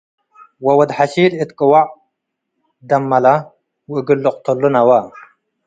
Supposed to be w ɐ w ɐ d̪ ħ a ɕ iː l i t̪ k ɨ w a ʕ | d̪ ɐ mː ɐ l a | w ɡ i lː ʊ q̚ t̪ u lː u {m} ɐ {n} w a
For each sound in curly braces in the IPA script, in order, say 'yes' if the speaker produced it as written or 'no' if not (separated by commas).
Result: no, no